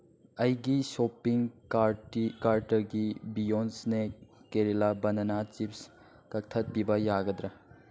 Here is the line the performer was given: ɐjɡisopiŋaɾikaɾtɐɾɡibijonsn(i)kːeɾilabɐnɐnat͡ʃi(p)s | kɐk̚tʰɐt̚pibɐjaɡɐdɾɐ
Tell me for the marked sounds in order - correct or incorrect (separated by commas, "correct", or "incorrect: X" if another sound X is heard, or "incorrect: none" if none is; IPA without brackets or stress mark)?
incorrect: e, correct